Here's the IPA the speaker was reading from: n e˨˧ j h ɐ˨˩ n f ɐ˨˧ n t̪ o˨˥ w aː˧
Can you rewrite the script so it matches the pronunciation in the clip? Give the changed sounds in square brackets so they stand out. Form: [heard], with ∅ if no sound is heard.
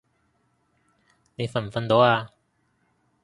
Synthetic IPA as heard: n e˨˧ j [f] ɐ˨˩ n f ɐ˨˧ n t̪ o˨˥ w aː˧